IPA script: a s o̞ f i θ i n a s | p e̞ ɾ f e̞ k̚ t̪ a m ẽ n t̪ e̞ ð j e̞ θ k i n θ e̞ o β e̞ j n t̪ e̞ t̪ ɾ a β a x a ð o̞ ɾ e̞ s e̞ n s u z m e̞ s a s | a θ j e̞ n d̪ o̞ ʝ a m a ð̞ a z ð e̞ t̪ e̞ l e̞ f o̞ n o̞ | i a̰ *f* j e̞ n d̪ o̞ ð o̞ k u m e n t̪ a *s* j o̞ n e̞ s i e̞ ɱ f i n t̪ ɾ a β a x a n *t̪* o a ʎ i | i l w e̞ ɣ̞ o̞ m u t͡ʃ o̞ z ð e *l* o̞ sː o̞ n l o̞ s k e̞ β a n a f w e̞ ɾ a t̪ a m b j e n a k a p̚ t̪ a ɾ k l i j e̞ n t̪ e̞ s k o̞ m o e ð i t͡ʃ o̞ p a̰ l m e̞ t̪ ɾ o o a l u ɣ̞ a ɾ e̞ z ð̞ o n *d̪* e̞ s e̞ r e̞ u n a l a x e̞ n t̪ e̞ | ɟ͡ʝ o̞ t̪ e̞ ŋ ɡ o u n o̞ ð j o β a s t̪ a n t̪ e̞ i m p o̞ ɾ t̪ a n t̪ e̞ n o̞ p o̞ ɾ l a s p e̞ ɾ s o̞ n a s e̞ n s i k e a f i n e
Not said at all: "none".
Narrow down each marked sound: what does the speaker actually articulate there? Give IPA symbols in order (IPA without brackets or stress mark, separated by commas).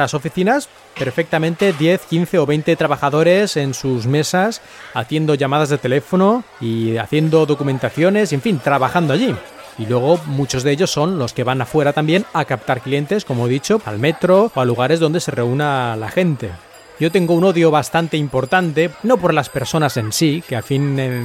θ, θ, d̪, ʎ, d̪